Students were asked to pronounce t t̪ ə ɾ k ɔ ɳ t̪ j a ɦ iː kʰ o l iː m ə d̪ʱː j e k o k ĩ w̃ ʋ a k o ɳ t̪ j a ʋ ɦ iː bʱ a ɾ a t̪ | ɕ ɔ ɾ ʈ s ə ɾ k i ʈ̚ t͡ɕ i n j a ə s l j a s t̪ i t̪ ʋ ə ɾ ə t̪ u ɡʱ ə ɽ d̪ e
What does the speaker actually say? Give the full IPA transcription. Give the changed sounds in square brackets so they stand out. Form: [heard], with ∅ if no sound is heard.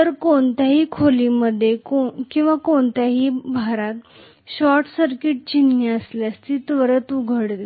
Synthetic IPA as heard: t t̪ ə ɾ k [o] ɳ t̪ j a ɦ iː kʰ o l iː m ə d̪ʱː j e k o k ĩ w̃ ʋ a k o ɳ t̪ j a [∅] ɦ iː bʱ a ɾ a t̪ | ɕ ɔ ɾ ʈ s ə ɾ k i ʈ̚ t͡ɕ i n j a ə s l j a s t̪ i t̪ ʋ ə ɾ ə t̪ u ɡʱ ə ɽ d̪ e